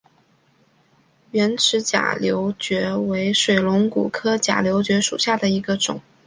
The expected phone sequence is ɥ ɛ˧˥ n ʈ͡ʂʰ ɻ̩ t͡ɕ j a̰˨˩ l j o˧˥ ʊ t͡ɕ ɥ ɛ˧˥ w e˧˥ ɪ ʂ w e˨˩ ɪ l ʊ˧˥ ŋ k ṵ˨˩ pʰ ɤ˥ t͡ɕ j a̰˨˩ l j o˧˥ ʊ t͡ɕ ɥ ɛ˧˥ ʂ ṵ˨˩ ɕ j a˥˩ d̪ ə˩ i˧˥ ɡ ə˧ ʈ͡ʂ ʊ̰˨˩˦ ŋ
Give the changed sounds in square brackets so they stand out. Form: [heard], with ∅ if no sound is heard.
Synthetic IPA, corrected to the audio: ɥ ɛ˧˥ n ʈ͡ʂʰ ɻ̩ t͡ɕ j a̰˨˩ l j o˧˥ ʊ t͡ɕ ɥ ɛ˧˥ w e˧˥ ɪ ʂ w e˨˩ ɪ l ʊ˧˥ ŋ k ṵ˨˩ [kʰ] ɤ˥ t͡ɕ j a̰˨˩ l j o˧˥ ʊ t͡ɕ ɥ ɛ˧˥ ʂ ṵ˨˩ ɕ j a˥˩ d̪ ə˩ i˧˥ ɡ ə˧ ʈ͡ʂ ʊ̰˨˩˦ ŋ